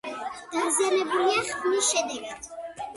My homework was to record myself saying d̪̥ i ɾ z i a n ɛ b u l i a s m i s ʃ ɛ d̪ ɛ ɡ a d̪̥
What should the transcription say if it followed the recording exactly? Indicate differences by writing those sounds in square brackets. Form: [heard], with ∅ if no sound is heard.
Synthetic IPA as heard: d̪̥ [a] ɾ z i a n ɛ b u l i a [χ] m i s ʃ ɛ d̪ ɛ ɡ a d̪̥